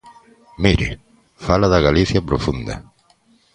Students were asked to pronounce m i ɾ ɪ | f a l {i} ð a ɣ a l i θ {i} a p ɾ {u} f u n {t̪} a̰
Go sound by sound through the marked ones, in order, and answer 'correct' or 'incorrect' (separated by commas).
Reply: incorrect, incorrect, incorrect, incorrect